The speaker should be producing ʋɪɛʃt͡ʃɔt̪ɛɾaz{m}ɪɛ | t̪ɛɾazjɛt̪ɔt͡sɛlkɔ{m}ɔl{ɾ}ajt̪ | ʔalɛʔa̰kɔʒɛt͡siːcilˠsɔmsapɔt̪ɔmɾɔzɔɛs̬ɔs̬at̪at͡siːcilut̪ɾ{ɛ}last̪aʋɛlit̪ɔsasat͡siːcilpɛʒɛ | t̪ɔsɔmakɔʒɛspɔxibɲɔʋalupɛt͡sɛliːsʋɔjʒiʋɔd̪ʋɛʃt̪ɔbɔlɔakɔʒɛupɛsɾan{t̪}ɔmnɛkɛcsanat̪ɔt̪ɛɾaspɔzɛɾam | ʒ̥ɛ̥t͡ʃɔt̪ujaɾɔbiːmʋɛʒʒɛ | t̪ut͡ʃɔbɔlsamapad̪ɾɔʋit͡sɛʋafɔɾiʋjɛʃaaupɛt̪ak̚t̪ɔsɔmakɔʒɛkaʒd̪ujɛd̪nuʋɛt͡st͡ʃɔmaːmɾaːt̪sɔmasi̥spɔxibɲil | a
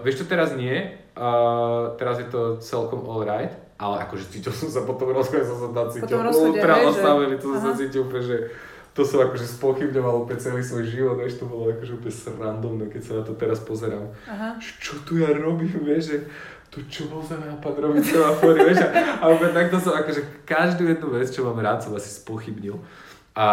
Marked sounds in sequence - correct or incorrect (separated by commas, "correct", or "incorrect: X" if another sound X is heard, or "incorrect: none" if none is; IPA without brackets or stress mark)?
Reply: incorrect: ɲ, correct, correct, incorrect: a, incorrect: d̪